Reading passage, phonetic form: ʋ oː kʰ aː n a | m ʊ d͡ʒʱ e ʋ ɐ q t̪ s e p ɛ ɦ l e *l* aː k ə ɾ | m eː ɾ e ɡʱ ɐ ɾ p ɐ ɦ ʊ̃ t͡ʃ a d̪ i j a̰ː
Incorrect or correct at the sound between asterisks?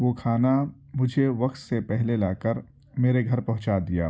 correct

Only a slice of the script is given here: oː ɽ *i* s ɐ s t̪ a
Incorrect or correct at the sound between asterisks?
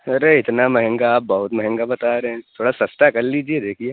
incorrect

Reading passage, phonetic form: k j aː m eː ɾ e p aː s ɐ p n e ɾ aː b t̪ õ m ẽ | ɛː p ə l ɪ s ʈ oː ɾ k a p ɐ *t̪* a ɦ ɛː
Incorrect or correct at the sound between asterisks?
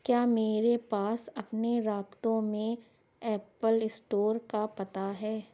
correct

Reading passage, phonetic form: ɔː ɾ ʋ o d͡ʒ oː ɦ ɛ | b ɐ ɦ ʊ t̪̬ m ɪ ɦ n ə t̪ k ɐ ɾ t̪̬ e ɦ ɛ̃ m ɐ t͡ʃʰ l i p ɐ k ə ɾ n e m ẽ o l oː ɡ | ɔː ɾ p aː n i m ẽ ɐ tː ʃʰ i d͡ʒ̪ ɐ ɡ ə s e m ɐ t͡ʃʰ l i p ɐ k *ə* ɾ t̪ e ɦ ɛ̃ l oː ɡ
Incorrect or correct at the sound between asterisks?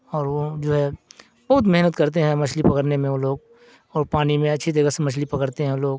correct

